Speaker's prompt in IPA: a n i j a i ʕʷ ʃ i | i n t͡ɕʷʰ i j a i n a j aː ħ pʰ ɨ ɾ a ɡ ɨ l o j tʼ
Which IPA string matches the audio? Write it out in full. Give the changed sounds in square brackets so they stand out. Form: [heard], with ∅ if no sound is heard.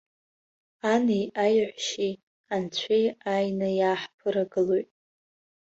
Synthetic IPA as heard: a n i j a [j] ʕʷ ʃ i | [a] n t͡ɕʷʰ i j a [j] n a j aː ħ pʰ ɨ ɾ a ɡ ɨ l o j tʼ